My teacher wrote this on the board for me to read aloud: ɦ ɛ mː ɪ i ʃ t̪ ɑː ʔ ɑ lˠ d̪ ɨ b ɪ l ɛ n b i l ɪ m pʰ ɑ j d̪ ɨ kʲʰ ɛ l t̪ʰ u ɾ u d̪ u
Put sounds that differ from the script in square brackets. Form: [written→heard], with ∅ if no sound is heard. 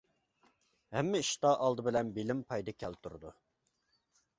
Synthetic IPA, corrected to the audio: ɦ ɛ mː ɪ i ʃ t̪ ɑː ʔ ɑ lˠ d̪ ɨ b ɪ l ɛ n b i l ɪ m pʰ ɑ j d̪ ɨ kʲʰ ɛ l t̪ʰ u ɾ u d̪ u